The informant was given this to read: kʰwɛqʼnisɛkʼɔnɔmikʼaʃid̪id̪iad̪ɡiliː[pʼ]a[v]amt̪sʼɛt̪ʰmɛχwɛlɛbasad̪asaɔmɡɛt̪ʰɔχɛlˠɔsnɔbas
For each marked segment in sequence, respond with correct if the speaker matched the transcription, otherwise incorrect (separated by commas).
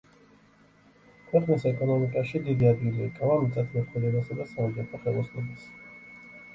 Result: incorrect, correct